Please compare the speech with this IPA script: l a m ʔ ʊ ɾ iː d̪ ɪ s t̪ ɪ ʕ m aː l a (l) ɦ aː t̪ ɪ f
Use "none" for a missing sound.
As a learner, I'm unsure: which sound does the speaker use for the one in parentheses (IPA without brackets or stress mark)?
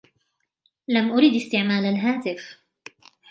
l